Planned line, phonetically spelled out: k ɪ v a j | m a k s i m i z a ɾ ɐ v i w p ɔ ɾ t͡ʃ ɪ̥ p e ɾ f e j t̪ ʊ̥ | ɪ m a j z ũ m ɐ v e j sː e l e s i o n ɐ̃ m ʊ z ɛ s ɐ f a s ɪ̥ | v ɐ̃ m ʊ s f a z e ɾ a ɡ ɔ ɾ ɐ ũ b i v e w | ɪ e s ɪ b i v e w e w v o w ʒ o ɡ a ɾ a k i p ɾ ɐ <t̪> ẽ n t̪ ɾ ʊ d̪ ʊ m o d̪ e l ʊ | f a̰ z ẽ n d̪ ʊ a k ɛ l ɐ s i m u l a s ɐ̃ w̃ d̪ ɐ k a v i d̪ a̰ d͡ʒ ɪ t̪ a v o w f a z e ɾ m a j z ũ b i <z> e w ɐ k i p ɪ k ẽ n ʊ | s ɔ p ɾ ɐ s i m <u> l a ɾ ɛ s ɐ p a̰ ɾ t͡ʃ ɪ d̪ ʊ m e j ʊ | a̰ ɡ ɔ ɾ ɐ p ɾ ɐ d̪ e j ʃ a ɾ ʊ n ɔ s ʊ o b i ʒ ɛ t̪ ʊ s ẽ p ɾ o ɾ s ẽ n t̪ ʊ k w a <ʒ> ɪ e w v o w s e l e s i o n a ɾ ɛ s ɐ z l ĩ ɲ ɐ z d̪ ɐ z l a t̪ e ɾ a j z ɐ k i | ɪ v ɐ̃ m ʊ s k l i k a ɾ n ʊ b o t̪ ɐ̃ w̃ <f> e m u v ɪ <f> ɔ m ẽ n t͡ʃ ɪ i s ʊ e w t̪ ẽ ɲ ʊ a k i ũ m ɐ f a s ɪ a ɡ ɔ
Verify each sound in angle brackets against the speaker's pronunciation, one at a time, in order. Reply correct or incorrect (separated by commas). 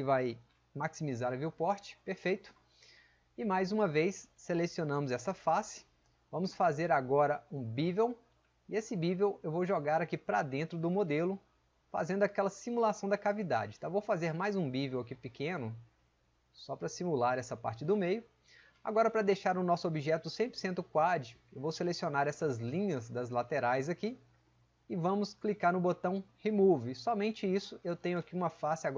incorrect, incorrect, correct, incorrect, incorrect, incorrect